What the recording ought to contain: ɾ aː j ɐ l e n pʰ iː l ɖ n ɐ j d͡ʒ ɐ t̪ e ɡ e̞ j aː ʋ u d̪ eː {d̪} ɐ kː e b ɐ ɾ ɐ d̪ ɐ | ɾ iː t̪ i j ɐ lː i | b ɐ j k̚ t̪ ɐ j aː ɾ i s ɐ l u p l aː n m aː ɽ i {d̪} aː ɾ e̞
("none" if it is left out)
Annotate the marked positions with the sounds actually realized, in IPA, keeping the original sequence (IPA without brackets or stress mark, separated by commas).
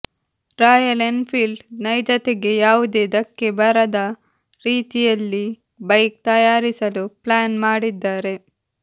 d̪, d̪ː